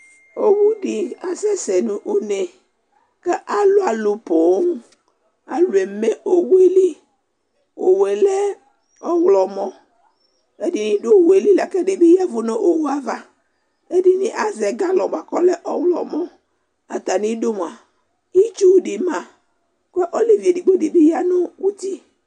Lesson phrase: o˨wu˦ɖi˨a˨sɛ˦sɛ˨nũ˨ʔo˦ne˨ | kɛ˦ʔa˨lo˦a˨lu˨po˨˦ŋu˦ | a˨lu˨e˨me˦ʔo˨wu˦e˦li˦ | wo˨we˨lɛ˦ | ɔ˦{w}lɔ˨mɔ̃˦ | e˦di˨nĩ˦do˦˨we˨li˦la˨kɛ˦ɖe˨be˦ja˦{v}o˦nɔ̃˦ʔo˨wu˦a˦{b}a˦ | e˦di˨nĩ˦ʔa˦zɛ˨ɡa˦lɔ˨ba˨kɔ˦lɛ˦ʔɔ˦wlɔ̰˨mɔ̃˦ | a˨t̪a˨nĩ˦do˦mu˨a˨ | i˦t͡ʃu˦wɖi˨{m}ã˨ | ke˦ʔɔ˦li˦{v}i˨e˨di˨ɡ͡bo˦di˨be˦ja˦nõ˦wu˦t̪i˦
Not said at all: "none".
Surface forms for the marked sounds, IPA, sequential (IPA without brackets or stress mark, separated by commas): w, v, v, m, v